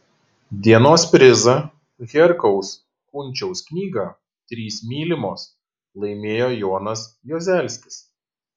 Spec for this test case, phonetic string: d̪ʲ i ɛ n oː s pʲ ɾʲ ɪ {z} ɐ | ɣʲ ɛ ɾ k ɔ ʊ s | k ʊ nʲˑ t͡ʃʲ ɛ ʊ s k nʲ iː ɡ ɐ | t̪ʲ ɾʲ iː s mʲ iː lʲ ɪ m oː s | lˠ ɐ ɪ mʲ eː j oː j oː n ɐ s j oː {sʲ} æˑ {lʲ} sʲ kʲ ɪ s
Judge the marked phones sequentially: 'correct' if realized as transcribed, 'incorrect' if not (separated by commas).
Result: correct, incorrect, correct